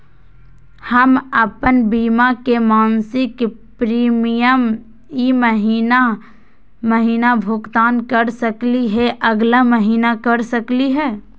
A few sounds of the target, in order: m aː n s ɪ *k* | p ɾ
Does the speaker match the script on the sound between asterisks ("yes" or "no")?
yes